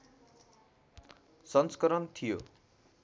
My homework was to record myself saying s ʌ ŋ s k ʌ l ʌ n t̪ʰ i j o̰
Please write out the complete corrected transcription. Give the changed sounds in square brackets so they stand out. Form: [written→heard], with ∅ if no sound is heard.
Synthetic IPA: s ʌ [ŋ→n] s k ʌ [l→ɾ] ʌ n t̪ʰ i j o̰